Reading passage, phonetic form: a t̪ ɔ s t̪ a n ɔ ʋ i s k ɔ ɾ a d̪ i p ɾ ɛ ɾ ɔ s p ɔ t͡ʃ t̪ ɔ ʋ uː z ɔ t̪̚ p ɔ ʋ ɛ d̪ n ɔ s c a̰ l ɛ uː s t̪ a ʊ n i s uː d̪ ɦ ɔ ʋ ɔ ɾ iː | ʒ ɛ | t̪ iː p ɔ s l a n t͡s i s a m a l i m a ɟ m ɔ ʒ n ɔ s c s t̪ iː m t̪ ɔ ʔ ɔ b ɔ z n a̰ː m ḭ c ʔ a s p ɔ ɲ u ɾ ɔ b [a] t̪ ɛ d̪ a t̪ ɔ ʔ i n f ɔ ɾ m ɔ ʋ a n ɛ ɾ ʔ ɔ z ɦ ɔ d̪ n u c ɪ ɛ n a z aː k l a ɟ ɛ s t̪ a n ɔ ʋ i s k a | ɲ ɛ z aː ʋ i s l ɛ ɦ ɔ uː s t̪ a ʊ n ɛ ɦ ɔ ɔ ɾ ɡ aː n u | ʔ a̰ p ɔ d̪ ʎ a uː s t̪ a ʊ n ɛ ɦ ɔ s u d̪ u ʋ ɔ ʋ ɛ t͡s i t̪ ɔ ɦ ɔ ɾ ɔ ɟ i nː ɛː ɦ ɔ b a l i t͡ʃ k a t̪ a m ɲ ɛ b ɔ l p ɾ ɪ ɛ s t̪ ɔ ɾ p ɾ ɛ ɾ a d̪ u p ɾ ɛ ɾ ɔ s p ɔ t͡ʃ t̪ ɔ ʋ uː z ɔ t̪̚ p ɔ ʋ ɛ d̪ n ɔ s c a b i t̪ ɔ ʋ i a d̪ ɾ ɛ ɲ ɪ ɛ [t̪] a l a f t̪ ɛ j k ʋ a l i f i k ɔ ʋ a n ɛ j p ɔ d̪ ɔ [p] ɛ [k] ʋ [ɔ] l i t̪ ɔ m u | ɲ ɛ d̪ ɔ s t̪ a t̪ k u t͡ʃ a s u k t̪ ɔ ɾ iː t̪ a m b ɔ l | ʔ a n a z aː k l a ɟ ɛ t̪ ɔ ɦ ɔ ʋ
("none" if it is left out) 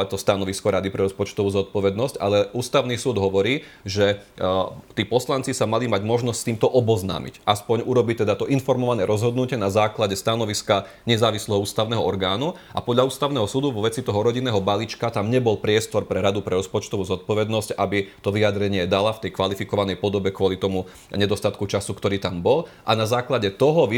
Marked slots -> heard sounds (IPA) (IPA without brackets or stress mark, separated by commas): i, d̪, b, k, ɔ